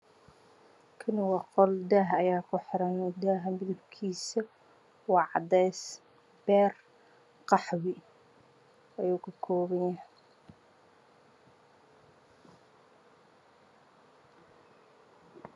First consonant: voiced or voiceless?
voiceless